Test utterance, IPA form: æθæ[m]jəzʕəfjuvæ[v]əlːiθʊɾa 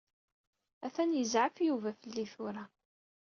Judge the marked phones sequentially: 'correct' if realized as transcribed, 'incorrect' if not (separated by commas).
incorrect, incorrect